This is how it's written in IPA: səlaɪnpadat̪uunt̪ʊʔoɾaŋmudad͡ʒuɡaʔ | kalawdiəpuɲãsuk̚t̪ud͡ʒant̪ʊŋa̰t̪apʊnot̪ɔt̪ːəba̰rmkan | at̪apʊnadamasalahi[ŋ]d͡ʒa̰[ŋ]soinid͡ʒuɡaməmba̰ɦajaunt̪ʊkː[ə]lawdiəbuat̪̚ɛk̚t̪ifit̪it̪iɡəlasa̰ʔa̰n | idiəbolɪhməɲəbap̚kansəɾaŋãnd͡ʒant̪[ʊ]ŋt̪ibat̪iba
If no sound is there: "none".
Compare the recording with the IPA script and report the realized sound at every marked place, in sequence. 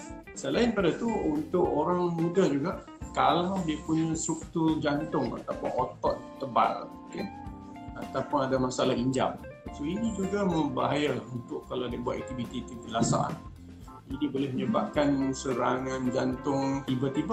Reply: ɲ, m, a, ʊ

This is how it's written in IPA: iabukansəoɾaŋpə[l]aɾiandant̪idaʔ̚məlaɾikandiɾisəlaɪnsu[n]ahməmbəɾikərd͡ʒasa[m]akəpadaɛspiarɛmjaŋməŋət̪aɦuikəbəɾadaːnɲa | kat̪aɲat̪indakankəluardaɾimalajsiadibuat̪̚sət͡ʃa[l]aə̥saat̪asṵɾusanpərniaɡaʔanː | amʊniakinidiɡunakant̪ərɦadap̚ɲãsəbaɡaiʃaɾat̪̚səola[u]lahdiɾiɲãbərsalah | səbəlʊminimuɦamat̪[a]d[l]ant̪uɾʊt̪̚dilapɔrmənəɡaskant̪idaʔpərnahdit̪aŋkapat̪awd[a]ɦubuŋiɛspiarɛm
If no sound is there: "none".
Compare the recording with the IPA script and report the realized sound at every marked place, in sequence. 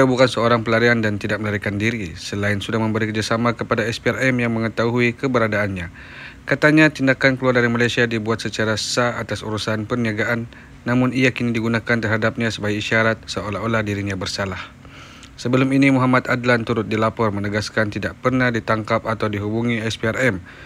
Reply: l, d, m, ɾ, o, a, l, i

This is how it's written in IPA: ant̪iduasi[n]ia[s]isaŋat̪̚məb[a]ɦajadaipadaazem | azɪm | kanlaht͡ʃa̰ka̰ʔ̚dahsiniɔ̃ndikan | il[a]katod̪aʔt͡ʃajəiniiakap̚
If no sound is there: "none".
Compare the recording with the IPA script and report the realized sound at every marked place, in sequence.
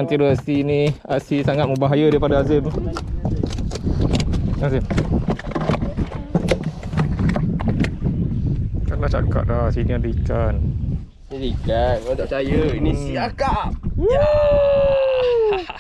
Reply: n, s, a, i

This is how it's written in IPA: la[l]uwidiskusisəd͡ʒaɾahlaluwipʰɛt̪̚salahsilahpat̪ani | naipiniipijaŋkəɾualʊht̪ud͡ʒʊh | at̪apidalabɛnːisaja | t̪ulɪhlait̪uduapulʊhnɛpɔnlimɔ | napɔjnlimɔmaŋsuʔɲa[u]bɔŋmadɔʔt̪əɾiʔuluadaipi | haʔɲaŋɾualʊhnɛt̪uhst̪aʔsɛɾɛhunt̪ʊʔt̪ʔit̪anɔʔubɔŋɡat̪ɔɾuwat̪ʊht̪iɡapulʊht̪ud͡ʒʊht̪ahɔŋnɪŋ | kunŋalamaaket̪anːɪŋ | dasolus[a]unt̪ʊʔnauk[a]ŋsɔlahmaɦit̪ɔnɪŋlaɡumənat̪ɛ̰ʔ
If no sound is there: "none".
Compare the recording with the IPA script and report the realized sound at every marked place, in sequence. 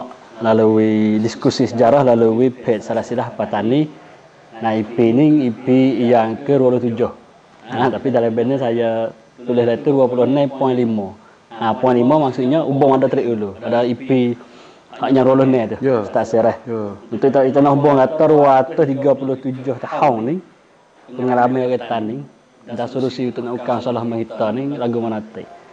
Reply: l, u, i, a

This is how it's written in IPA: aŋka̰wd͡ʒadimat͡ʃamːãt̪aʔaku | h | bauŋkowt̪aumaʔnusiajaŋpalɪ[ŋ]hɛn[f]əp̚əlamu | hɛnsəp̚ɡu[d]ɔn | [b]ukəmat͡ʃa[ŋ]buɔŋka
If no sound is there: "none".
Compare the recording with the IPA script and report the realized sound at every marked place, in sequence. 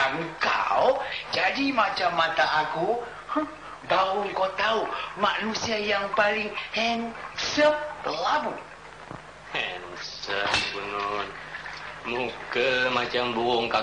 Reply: ŋ, s, n, m, m

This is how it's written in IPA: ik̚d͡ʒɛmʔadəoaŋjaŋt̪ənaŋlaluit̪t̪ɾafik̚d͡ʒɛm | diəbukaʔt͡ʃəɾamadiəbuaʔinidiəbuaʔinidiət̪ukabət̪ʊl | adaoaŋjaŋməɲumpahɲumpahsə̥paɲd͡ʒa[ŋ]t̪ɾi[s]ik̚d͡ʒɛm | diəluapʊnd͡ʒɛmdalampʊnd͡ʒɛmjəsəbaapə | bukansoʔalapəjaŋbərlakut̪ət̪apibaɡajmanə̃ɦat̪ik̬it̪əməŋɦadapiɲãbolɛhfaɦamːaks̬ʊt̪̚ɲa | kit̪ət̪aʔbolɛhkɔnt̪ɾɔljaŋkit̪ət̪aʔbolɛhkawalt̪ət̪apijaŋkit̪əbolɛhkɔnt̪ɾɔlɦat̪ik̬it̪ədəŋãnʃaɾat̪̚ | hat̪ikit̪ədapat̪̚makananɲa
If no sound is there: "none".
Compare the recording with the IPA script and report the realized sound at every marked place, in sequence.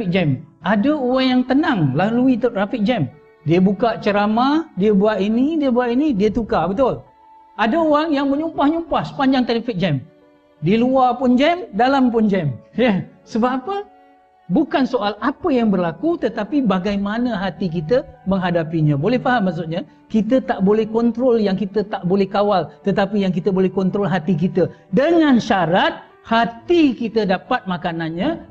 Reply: ŋ, f

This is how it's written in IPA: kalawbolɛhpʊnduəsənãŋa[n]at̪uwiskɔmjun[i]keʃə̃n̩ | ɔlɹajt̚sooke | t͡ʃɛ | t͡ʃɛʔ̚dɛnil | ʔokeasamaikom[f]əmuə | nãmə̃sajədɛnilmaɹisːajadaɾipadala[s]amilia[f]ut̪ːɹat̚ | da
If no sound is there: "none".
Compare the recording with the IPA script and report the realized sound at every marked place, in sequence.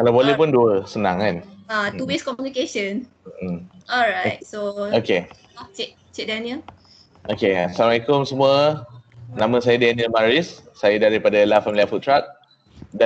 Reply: n, i, s, f, f

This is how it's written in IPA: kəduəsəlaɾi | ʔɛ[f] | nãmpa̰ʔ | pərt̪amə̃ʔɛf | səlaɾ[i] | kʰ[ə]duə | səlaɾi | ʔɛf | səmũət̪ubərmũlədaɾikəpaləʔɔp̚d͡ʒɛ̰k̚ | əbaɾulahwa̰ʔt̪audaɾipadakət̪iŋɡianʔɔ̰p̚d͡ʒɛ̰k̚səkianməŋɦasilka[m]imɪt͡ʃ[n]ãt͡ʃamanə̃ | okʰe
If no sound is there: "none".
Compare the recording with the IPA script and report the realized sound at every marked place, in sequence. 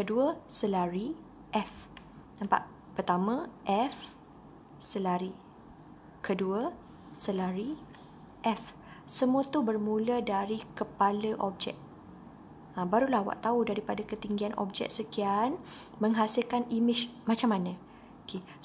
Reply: f, i, ə, n, m

